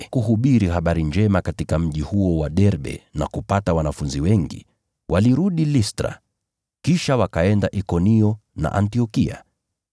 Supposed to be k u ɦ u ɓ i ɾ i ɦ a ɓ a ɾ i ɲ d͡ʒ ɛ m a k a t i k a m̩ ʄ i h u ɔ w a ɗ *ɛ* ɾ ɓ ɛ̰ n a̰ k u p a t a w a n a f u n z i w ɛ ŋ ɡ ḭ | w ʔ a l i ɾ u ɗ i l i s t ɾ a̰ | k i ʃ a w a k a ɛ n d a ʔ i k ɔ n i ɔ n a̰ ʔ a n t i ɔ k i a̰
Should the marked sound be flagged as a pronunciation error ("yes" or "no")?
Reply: no